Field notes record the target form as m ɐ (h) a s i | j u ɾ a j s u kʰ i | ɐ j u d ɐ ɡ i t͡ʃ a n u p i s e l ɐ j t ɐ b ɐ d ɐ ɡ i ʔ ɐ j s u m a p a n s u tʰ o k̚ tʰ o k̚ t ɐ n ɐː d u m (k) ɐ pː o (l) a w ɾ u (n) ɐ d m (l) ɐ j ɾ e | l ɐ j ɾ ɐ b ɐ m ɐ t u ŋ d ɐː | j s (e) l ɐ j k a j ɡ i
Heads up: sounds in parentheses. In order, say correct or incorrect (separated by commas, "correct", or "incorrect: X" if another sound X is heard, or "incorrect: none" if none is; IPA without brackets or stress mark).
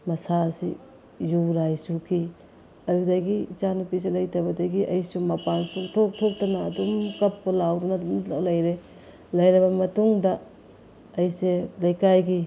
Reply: incorrect: s, correct, correct, correct, correct, correct